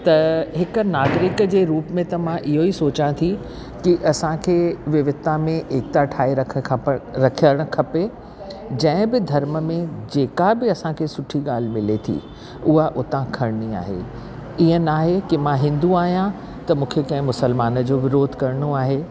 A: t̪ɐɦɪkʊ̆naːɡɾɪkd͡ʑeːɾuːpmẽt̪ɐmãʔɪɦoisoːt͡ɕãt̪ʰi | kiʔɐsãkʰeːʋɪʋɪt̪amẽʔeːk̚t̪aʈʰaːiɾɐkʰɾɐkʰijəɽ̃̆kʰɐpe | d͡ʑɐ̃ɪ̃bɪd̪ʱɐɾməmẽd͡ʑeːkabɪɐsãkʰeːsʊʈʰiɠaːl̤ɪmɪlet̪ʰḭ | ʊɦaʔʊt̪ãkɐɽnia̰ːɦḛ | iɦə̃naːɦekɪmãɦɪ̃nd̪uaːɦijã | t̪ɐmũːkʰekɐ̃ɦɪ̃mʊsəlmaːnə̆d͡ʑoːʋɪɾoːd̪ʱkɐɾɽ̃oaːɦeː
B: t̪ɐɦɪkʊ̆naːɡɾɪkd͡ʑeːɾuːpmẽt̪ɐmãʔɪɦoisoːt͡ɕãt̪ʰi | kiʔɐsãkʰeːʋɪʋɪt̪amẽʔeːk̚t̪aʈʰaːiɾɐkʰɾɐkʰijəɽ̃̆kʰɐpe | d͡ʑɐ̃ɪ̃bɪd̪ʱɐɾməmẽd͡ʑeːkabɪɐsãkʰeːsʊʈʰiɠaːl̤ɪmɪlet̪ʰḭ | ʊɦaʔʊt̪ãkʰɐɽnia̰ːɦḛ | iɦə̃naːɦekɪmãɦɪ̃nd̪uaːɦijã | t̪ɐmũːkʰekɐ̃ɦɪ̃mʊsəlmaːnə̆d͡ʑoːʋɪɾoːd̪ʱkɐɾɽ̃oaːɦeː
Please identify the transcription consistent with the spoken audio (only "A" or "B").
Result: B